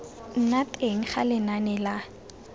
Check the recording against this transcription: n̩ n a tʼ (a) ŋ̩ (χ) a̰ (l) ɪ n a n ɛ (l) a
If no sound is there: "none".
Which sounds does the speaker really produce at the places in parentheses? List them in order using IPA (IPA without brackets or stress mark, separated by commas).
e, χ, l, l